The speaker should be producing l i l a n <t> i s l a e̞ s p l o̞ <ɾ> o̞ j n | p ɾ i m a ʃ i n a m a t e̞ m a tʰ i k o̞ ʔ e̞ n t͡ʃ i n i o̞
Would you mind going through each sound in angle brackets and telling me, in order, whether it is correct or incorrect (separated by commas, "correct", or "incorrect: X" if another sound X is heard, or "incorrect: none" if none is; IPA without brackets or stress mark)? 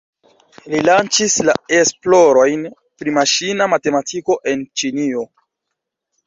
incorrect: t͡ʃ, correct